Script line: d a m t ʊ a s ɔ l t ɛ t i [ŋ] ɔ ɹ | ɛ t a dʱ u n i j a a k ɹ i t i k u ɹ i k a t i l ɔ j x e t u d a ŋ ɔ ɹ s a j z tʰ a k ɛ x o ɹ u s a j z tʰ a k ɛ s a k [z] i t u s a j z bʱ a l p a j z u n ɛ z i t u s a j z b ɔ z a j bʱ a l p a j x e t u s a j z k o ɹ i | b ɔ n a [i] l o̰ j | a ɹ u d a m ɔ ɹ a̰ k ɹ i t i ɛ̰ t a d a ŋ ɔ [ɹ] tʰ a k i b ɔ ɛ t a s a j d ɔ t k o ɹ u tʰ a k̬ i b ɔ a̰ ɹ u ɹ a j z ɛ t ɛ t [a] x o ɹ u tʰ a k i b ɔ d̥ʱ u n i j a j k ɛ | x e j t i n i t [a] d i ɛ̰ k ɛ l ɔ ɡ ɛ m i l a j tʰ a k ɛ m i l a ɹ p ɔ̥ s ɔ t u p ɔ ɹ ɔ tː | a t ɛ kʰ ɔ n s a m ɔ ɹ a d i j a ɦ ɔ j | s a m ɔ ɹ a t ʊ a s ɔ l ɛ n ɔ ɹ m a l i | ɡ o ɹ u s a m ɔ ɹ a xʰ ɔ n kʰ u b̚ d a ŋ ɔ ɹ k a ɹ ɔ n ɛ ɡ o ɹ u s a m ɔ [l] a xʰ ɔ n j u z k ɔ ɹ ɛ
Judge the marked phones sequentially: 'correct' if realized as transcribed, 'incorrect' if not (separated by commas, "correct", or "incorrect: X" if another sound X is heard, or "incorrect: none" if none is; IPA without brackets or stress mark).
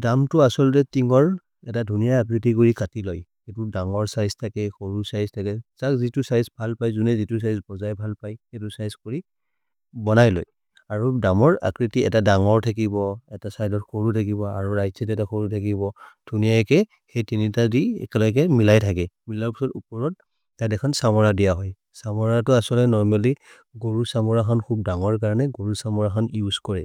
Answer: correct, correct, incorrect: j, correct, correct, correct, incorrect: ɹ